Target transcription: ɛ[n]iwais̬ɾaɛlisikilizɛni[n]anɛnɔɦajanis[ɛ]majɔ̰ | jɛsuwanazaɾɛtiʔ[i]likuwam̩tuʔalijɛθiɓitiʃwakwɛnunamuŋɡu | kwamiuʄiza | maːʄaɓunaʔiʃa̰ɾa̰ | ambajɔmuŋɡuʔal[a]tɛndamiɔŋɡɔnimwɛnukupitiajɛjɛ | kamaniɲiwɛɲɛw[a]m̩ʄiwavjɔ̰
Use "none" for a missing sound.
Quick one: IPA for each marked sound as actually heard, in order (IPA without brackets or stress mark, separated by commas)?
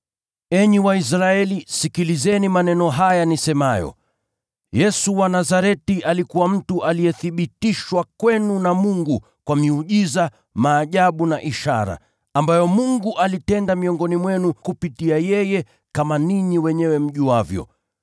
ɲ, m, ɛ, a, i, ɛ